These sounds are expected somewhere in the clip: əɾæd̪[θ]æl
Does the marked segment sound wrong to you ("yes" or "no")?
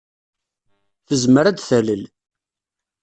no